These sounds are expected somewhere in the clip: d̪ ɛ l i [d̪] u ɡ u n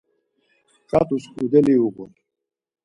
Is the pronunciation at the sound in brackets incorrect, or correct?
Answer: incorrect